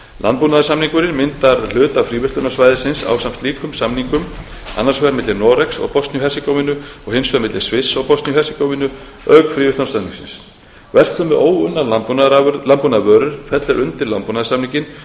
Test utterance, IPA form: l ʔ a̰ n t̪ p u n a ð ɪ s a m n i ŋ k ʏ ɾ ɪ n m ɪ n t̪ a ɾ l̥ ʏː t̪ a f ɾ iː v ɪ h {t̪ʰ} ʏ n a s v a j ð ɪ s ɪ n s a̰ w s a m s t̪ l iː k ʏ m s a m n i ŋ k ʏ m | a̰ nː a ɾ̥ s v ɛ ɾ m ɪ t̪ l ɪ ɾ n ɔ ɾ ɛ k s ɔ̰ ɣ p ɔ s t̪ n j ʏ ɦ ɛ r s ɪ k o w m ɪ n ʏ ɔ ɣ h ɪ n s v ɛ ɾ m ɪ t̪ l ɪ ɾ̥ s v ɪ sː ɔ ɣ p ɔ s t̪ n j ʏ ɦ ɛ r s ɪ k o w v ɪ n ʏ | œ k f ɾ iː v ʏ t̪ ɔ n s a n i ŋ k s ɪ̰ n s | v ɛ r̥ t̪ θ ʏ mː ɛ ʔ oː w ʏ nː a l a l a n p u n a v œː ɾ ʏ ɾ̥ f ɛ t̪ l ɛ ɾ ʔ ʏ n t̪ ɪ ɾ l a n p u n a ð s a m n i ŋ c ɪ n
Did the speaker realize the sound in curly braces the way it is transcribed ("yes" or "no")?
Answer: no